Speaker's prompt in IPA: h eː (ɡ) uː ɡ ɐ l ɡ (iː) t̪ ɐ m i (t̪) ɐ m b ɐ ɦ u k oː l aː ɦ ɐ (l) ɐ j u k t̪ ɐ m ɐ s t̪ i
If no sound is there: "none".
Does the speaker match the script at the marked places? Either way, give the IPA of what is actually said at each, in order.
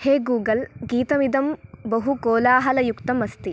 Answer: ɡ, iː, d̪, l

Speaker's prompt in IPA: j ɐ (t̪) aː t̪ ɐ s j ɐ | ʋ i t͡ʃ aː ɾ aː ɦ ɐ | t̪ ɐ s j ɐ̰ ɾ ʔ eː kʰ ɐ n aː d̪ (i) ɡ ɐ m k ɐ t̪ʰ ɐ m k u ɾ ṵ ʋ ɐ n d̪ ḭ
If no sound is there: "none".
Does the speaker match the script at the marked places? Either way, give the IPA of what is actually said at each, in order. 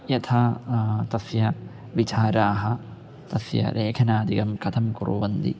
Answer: t̪ʰ, i

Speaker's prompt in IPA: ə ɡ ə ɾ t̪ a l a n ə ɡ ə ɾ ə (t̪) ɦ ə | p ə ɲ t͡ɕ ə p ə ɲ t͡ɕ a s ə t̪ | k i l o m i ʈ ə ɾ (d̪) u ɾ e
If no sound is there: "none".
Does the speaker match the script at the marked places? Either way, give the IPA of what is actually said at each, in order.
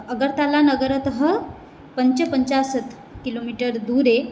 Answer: t̪, d̪

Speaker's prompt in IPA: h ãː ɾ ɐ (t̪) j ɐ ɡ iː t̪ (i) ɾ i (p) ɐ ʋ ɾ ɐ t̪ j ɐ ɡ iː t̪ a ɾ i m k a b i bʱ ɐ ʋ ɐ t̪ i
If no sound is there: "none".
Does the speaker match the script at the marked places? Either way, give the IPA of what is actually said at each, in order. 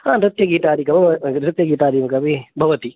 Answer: t̪, a, k

